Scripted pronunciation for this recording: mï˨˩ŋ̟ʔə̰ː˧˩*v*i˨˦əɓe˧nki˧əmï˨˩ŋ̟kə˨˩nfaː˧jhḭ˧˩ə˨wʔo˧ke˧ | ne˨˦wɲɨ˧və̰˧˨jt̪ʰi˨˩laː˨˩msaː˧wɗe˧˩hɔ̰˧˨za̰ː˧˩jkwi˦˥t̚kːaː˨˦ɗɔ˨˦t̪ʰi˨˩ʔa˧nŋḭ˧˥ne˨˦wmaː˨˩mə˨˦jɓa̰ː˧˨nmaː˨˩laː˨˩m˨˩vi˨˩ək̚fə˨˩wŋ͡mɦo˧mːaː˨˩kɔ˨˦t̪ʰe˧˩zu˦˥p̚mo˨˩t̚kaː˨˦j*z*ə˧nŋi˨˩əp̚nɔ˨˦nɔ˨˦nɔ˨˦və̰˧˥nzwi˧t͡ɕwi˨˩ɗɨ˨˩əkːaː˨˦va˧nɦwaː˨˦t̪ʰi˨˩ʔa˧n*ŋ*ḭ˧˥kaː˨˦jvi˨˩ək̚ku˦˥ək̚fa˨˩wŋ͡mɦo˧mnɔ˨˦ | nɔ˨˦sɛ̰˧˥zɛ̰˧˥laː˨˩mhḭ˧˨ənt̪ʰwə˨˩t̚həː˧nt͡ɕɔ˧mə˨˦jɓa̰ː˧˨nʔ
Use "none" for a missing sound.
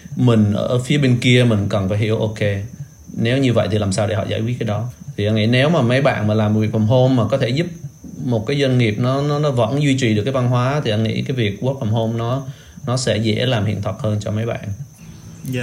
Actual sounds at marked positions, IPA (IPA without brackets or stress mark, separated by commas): f, z, ŋ